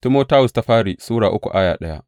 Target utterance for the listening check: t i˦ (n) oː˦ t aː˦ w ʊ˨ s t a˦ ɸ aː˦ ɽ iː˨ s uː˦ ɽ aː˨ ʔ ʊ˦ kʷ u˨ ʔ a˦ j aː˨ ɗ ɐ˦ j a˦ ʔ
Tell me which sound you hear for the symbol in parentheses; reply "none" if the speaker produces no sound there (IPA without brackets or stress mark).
m